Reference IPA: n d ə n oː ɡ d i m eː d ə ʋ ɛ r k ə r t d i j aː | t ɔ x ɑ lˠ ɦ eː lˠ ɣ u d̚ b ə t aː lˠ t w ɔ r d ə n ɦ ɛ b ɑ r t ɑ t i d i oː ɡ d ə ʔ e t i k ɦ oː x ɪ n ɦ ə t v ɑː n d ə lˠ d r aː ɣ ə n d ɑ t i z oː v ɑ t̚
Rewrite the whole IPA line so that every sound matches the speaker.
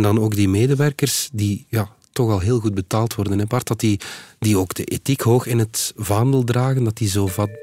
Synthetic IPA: n d ɑ n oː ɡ d i m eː d ə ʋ ɛ r k ə r s d i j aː | t ɔ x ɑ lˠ ɦ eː lˠ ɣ u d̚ b ə t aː lˠ t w ɔ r d ə n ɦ ɛ b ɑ r t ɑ t i d i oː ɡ d ə ʔ e t i k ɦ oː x ɪ n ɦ ə t v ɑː n d ə lˠ d r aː ɣ ə n d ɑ t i z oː v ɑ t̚